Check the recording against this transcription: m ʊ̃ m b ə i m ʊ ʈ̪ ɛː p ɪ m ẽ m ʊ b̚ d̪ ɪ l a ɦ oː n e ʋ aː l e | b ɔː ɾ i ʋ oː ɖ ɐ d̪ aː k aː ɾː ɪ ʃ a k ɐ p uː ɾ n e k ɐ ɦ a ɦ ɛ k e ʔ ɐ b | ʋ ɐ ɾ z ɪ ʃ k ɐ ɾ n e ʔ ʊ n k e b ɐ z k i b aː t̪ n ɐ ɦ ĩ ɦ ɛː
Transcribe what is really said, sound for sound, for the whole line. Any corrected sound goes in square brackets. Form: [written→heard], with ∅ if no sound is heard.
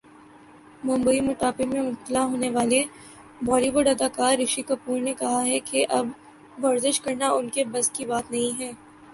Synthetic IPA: m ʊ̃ m b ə i m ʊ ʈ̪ [ɛː→aː] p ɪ m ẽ m ʊ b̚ [d̪→t̪] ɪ l a ɦ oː n e ʋ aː l e | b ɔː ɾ i ʋ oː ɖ ɐ d̪ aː k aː ɾː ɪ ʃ [a→i] k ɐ p uː ɾ n e k ɐ ɦ a ɦ ɛ k e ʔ ɐ b | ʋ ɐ ɾ z ɪ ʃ k ɐ ɾ n [e→a] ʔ ʊ n k e b ɐ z k i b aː t̪ n ɐ ɦ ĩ ɦ ɛː